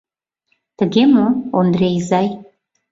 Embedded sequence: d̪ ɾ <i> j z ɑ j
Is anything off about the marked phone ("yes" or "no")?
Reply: yes